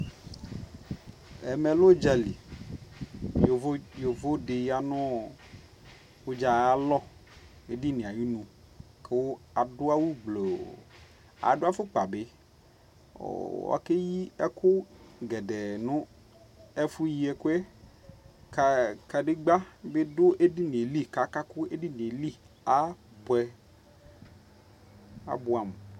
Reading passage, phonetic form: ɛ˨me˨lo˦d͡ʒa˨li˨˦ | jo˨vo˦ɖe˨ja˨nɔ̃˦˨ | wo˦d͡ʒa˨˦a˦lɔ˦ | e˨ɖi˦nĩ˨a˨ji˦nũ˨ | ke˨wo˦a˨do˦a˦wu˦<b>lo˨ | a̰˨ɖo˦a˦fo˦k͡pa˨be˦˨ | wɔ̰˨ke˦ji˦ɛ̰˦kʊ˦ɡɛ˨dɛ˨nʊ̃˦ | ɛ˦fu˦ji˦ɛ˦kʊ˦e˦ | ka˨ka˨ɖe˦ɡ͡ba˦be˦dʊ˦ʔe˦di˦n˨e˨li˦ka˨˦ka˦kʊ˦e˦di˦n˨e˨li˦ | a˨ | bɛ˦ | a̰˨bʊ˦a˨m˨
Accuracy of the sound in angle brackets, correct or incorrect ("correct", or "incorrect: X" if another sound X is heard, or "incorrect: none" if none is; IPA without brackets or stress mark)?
incorrect: ɡ͡b